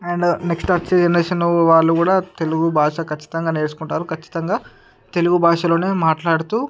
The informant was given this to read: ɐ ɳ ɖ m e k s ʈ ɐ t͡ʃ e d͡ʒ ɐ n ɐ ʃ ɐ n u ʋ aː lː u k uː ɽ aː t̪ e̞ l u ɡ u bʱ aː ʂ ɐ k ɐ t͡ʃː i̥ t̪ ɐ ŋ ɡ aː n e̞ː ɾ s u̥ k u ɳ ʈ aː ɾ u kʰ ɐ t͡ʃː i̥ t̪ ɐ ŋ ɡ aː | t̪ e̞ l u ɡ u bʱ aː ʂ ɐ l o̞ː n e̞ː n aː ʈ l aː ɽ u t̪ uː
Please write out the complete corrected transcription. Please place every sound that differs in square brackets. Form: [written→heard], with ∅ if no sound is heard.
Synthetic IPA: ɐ ɳ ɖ [m→n] e k s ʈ ɐ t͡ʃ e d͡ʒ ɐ n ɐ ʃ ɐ n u ʋ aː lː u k uː ɽ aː t̪ e̞ l u ɡ u bʱ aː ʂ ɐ k ɐ t͡ʃː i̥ t̪ ɐ ŋ ɡ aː n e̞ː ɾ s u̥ k u ɳ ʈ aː ɾ u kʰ ɐ t͡ʃː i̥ t̪ ɐ ŋ ɡ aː | t̪ e̞ l u ɡ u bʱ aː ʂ ɐ l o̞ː n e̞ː [n→m] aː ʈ l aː ɽ u t̪ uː